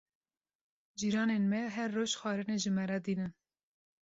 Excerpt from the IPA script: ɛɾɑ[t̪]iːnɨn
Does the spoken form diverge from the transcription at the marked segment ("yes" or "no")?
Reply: yes